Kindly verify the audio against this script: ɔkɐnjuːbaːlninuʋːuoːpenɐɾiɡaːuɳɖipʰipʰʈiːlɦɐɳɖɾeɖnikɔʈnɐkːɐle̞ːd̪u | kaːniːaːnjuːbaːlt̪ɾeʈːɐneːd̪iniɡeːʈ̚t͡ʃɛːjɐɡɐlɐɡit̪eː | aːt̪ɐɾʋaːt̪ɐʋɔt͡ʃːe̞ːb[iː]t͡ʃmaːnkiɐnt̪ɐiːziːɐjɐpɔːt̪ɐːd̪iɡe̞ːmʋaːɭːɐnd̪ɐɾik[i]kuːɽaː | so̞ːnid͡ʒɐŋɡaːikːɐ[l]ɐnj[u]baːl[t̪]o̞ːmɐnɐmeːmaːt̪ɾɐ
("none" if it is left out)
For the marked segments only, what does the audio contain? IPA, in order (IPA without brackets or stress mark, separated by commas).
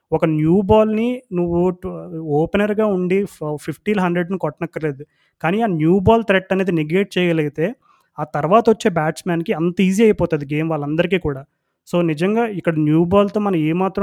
aː, iː, ɽ, uː, t̪